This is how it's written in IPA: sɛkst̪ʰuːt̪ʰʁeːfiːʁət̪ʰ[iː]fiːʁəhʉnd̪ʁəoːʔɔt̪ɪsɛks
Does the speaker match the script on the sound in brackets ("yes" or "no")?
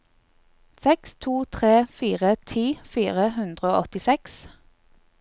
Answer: yes